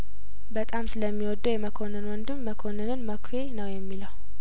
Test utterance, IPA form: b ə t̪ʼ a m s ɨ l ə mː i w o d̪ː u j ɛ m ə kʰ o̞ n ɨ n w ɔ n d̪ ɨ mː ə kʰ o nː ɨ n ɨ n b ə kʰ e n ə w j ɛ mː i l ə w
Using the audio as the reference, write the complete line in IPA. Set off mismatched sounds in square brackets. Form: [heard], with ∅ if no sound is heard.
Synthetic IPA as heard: b ə t̪ʼ a m s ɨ l ə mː i w [ɔ] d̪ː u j ɛ m ə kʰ o̞ n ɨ n w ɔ n d̪ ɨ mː ə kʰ o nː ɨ n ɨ n [m] ə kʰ e n ə w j ɛ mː i l ə w